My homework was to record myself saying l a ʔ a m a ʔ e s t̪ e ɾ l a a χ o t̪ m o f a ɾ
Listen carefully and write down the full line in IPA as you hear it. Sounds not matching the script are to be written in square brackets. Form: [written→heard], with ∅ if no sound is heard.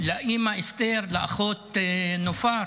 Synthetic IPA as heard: l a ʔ [a→i] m a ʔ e s t̪ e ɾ l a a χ o t̪ [m→n] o f a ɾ